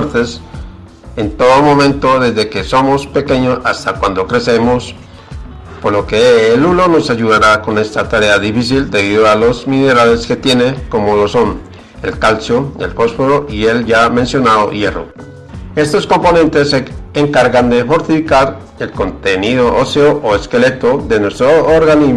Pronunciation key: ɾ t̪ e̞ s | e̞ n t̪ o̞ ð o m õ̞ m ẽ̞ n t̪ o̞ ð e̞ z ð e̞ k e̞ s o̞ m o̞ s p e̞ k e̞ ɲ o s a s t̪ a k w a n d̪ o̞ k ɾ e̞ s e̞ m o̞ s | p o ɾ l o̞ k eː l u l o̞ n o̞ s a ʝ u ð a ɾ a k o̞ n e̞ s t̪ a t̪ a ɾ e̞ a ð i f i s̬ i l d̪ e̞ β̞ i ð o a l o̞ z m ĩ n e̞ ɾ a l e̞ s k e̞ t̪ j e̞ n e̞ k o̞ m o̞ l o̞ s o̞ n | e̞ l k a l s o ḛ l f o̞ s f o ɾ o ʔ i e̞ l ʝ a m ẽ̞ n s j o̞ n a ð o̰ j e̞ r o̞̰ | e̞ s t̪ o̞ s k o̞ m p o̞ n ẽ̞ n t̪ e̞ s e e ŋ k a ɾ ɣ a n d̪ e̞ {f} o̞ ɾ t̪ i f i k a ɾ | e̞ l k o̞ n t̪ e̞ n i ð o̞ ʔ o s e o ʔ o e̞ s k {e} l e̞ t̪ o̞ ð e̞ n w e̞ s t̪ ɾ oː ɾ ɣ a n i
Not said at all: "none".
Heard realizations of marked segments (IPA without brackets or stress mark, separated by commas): f, e